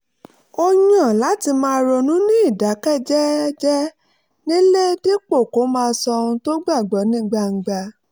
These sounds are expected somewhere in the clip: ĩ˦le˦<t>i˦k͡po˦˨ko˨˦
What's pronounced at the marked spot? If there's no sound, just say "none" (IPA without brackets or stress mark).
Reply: d